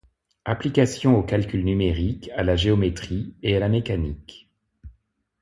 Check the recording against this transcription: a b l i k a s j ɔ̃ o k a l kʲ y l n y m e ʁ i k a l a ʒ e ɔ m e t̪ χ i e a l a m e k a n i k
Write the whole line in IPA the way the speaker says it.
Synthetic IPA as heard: a p l i k a s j ɔ̃ o k a l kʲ y l n y m e ʁ i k a l a ʒ e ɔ m e t̪ χ i e a l a m e k a n i k